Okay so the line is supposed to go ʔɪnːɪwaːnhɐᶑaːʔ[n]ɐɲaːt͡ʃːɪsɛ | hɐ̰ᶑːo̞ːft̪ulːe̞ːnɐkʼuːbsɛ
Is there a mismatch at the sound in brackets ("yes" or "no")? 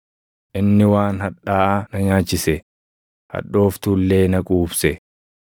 no